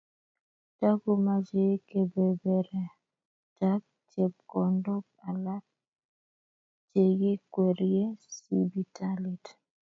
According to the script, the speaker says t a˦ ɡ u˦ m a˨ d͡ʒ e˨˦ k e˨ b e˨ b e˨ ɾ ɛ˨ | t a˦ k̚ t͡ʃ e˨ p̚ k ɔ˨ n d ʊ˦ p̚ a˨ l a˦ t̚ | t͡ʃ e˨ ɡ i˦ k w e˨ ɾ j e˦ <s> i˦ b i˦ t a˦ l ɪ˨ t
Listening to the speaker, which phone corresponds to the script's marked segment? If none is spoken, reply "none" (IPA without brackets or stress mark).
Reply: s